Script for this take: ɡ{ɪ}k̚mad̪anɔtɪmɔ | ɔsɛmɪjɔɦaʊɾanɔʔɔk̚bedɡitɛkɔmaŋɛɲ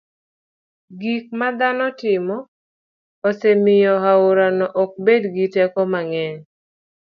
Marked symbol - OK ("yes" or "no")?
no